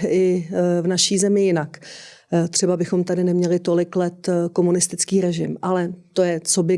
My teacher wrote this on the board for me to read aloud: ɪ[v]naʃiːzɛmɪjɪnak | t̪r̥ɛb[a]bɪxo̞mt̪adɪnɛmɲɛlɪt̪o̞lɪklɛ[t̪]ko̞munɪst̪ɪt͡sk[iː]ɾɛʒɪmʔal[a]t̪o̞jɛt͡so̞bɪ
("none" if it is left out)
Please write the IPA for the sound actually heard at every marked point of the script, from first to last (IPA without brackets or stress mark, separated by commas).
v, a, t̪, iː, ɛ